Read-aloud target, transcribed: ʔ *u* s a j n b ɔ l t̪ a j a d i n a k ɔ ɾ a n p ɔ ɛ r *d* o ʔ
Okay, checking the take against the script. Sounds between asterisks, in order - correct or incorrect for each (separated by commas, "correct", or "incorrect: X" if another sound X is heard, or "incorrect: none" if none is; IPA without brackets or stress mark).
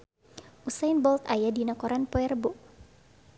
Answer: correct, incorrect: b